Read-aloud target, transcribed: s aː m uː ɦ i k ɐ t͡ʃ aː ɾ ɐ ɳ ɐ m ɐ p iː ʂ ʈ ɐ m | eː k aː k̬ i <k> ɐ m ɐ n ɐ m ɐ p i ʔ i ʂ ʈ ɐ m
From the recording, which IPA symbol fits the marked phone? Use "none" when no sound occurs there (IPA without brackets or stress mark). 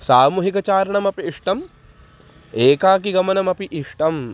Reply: ɡ